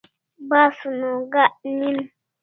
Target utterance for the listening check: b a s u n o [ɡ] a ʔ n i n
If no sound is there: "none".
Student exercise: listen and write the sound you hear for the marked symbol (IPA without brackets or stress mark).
ɡ